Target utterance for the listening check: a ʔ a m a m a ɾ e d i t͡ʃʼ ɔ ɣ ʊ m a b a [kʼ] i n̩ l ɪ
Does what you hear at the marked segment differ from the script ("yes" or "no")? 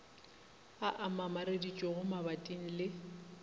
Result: yes